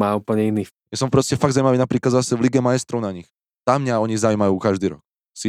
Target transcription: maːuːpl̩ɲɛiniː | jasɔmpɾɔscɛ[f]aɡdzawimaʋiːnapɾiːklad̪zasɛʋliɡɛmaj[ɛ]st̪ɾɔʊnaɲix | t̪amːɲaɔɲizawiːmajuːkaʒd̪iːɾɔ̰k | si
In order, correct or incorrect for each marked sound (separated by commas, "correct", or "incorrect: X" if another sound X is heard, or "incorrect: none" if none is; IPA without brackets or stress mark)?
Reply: correct, correct